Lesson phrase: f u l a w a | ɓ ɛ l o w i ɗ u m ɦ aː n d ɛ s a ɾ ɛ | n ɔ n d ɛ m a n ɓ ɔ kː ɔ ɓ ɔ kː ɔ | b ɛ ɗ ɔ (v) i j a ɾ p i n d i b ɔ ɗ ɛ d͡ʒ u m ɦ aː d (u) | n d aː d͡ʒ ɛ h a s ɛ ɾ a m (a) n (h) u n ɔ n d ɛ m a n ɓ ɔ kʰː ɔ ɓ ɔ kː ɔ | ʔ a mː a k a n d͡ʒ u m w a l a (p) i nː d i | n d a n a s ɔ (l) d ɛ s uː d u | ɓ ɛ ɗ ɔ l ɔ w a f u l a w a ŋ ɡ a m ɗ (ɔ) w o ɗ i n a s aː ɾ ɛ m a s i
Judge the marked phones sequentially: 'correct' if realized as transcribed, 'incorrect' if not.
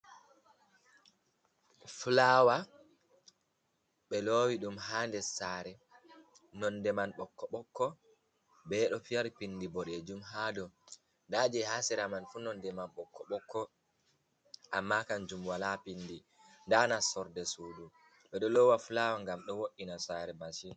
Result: incorrect, incorrect, correct, incorrect, correct, incorrect, correct

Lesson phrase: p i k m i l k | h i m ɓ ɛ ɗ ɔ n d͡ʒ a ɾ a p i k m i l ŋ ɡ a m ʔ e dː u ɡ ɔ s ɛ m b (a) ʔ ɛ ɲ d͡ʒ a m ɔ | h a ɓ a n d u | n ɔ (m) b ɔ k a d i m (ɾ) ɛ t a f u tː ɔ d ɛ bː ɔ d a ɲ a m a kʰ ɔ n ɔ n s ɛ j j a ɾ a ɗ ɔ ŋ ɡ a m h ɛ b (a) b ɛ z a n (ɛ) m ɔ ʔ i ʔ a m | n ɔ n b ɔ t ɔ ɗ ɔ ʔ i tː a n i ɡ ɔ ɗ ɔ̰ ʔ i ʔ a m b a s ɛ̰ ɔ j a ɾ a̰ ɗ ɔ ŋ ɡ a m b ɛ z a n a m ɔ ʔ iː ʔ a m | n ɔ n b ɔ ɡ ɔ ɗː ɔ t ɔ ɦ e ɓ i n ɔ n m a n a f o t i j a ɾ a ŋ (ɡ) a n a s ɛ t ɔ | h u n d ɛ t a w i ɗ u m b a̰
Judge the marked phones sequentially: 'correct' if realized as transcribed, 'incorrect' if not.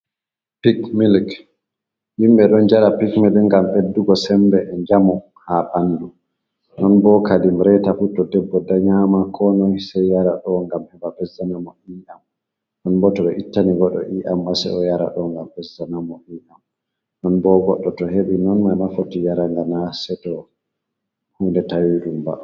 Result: incorrect, incorrect, correct, correct, incorrect, correct

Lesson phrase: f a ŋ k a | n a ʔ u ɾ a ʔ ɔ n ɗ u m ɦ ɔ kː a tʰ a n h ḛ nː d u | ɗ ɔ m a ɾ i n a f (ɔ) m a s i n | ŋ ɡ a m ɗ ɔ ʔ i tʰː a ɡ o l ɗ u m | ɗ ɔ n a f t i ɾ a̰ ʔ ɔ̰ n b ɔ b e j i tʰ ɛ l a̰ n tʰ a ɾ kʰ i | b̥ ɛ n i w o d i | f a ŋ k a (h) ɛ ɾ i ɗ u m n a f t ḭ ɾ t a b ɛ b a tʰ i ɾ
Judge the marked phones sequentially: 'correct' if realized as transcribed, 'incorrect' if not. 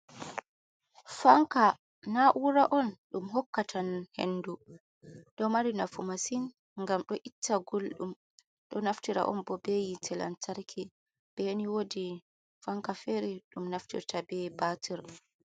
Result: incorrect, incorrect

